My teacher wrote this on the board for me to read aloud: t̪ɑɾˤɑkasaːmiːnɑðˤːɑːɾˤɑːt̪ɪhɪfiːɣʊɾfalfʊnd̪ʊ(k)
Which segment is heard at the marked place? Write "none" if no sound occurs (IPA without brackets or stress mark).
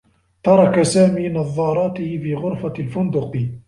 q